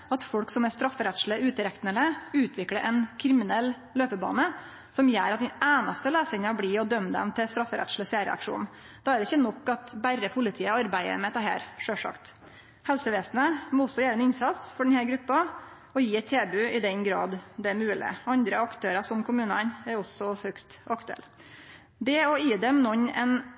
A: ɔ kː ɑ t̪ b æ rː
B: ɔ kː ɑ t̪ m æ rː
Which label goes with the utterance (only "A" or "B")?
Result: A